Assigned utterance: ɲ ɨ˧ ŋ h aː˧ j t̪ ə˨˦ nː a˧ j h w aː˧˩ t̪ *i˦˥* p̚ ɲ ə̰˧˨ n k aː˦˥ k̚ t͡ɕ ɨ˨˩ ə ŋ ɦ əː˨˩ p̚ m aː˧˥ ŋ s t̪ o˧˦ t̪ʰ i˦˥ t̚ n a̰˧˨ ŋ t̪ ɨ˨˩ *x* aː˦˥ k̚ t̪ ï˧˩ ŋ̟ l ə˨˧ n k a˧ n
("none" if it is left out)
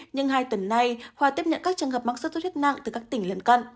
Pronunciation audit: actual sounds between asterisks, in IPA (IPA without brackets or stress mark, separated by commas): i˦˥, k